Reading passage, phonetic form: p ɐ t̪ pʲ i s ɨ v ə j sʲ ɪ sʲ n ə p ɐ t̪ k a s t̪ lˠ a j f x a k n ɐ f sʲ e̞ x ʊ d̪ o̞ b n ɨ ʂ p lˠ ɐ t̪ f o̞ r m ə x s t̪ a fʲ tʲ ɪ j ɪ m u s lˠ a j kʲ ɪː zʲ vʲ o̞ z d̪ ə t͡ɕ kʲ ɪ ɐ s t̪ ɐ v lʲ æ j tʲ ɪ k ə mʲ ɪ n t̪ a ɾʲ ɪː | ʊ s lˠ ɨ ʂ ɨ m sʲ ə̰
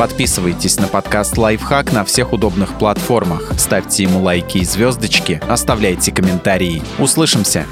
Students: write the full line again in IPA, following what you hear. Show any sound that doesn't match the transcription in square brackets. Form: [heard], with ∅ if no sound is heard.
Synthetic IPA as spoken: p ɐ t̪ pʲ i s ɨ v ə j [tʲ] ɪ sʲ n ə p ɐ t̪ k a s t̪ lˠ a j f x a k n ɐ f sʲ e̞ x ʊ d̪ o̞ b n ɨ [x] p lˠ ɐ t̪ f o̞ r m ə x s t̪ a fʲ tʲ ɪ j ɪ m u [∅] lˠ a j kʲ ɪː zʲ vʲ o̞ z d̪ ə t͡ɕ kʲ ɪ ɐ s t̪ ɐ v lʲ æ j tʲ ɪ k ə mʲ ɪ n t̪ a ɾʲ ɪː | ʊ s lˠ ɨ ʂ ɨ m sʲ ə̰